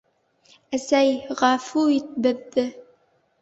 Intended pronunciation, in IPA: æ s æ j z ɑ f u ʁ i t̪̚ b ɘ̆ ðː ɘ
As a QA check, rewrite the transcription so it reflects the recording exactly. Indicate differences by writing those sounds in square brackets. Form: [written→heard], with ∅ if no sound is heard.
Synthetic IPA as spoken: æ s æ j [z→ʁ] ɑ f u [ʁ→∅] i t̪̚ b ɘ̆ ðː ɘ